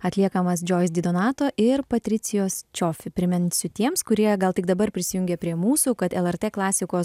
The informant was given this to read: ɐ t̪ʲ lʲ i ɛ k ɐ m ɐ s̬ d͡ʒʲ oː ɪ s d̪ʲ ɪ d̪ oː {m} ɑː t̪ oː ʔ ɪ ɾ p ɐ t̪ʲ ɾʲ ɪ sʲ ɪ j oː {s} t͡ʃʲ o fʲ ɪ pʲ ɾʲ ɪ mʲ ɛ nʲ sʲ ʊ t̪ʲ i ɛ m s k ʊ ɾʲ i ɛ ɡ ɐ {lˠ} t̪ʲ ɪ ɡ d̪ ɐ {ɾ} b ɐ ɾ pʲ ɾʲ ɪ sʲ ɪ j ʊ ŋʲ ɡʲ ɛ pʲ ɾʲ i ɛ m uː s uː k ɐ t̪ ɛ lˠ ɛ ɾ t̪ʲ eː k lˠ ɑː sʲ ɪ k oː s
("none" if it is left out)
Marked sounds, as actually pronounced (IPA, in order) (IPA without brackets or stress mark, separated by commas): n, s, lˠ, none